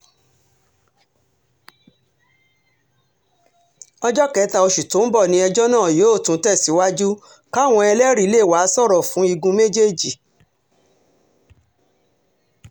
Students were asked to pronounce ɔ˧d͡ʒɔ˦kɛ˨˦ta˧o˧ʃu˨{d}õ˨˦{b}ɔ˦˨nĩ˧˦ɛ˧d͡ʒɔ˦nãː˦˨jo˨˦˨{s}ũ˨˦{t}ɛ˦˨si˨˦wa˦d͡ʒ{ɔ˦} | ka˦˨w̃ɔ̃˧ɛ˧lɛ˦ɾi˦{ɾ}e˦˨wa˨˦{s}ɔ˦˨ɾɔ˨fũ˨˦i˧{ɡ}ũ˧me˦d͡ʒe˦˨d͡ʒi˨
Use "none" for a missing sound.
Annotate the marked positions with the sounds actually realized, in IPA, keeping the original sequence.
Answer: t, b, t, t, u˦, l, s, ɡ

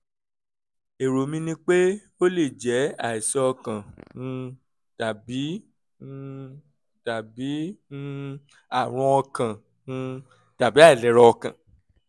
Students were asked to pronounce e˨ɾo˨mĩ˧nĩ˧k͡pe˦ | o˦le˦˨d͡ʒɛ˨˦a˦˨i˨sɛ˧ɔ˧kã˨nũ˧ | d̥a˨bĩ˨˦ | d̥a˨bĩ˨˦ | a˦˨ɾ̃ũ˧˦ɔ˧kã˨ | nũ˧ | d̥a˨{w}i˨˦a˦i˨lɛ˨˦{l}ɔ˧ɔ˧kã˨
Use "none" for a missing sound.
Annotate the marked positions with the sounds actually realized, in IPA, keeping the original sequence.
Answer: b, ɾ

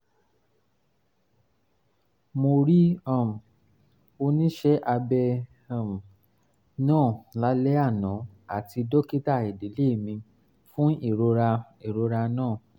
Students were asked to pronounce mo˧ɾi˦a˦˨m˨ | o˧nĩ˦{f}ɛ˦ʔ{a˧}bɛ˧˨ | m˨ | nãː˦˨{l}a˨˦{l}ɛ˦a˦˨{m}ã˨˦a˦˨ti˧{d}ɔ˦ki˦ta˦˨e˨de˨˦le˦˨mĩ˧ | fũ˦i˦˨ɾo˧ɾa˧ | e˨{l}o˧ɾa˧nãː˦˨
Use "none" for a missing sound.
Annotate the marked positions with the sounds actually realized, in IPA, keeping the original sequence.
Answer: ʃ, a˧, l, l, n, d, ɾ

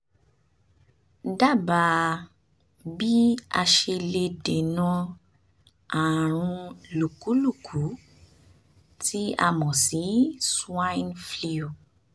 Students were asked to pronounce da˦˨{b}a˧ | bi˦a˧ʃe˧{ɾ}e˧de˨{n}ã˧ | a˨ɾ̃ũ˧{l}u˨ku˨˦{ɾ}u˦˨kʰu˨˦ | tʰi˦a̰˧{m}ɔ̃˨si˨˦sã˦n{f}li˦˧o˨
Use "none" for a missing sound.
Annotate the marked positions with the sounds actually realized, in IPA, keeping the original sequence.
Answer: b, l, n, l, l, m, f

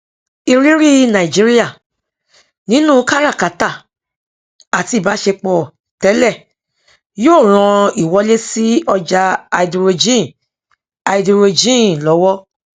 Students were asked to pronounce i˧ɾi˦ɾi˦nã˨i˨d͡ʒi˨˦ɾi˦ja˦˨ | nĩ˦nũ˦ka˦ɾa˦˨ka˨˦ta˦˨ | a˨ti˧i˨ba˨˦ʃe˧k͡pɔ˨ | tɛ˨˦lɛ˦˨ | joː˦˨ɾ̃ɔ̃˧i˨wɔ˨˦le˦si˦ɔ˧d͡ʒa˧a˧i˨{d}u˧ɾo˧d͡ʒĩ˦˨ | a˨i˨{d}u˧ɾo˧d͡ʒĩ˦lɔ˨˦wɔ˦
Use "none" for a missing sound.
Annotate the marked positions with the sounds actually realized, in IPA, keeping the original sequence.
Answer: d, d

